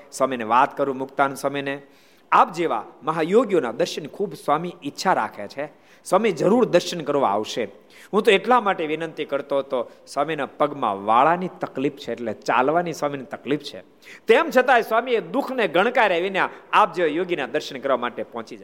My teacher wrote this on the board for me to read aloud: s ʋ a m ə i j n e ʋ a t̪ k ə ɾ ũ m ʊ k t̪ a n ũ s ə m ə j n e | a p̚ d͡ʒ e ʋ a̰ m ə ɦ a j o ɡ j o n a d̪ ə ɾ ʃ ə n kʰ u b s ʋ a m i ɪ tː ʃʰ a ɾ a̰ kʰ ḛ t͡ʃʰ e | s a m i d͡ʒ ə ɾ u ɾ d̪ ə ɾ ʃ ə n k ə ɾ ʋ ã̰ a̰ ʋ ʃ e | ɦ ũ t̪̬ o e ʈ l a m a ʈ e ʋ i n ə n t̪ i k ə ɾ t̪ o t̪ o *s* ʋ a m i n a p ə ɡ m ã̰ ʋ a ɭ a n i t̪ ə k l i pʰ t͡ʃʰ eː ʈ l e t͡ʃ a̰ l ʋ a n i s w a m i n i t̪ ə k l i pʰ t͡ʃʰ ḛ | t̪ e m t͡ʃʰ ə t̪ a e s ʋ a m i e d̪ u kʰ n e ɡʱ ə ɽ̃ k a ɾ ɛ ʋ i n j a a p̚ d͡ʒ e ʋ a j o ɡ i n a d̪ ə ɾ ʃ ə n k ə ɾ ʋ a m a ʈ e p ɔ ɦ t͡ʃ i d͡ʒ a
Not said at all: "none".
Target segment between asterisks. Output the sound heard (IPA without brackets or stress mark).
s